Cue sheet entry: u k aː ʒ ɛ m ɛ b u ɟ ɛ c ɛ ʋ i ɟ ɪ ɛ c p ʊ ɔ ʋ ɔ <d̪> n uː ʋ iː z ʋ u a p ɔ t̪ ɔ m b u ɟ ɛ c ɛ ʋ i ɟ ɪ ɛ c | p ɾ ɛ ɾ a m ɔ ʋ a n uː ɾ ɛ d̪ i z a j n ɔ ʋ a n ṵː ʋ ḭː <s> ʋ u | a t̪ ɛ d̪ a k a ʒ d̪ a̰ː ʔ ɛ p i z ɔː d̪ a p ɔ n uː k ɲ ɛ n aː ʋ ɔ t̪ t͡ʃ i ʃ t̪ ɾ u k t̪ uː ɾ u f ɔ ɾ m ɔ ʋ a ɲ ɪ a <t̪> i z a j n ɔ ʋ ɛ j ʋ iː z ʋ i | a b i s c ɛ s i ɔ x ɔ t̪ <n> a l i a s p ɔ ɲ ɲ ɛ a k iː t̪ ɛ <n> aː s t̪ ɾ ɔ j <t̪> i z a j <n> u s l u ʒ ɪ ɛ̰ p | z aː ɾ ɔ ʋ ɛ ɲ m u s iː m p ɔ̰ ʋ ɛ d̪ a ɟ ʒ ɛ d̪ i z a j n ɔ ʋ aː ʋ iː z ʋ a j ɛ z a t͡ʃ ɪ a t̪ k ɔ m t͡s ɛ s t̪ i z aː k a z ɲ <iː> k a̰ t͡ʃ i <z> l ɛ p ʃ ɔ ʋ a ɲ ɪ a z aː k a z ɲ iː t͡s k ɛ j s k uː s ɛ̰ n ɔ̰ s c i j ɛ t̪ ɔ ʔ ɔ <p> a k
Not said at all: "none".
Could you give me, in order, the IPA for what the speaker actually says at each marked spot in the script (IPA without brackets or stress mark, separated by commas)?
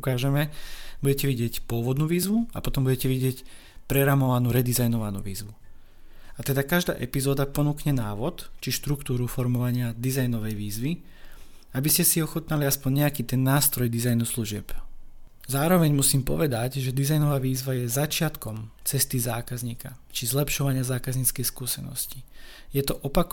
d̪, z, d̪, n, nː, d̪, n, iː, z, p